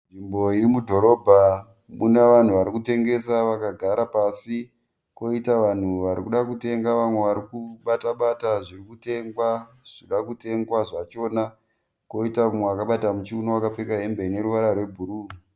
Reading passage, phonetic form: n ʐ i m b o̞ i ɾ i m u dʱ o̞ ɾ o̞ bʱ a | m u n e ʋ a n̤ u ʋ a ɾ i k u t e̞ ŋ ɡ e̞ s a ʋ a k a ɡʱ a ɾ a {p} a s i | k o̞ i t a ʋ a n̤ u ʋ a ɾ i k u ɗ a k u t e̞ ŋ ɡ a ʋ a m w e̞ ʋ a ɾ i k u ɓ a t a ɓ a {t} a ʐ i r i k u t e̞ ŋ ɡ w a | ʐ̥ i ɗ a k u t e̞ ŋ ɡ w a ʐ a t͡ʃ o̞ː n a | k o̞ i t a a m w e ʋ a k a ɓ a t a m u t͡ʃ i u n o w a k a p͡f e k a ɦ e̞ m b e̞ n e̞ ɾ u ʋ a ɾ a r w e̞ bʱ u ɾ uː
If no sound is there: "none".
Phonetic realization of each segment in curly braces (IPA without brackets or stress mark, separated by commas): p, t